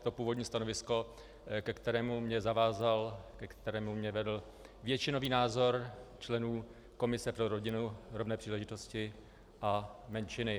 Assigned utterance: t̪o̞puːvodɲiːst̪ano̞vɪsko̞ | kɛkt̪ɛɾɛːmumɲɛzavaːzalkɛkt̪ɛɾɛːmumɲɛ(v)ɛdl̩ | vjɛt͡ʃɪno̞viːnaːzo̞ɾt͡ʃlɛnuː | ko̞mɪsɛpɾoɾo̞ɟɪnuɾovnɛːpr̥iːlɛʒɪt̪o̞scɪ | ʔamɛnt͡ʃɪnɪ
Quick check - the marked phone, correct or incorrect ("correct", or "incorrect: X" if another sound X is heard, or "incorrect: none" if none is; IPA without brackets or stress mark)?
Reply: correct